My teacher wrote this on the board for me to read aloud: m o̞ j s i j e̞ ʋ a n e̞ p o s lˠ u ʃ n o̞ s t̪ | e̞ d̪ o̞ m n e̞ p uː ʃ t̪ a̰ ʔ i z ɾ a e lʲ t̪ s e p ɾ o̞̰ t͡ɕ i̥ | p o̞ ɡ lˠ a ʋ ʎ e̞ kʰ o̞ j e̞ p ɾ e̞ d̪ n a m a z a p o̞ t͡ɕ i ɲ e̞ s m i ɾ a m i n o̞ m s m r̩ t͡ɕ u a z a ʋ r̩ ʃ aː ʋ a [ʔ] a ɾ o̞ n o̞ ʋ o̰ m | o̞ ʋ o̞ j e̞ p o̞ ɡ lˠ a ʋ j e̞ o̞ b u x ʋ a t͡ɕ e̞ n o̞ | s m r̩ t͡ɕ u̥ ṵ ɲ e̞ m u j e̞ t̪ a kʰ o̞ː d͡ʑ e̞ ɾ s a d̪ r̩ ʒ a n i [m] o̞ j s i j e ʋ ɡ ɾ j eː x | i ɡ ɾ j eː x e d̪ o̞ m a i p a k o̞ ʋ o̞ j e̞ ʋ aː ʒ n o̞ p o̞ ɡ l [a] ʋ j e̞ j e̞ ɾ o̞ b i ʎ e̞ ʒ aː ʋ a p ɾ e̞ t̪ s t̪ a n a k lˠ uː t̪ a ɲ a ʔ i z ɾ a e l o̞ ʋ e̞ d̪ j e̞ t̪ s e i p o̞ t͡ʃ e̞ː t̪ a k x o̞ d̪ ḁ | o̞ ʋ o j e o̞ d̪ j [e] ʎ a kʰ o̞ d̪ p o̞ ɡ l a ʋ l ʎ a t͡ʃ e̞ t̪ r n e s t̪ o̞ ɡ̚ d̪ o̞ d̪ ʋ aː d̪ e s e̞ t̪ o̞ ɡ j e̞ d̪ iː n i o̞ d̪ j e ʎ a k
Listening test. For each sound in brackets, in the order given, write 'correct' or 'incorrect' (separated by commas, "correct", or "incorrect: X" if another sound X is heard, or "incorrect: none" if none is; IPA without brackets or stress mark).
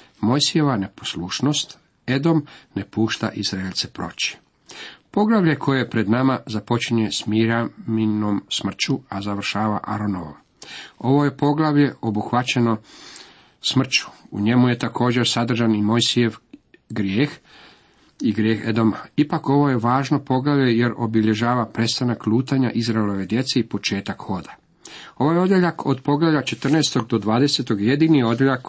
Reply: correct, correct, correct, correct